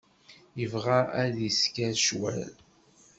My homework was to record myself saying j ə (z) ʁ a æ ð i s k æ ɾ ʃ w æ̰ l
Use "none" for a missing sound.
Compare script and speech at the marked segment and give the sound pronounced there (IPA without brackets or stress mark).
v